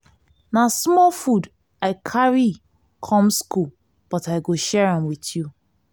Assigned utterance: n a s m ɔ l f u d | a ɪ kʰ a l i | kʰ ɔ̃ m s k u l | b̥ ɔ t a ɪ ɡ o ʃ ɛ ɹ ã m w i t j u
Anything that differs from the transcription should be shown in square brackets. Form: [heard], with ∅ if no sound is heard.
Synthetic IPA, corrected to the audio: n a s m ɔ l f u d | a ɪ kʰ a [ɹ] i | kʰ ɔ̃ m s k u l | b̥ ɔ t a ɪ ɡ o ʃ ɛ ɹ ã m w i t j u